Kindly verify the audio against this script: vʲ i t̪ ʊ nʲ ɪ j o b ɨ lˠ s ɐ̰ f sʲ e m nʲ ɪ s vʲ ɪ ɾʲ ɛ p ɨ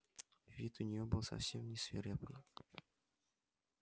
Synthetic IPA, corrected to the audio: vʲ i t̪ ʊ nʲ ɪ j o b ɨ lˠ s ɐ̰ f sʲ e m nʲ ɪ s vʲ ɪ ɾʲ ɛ p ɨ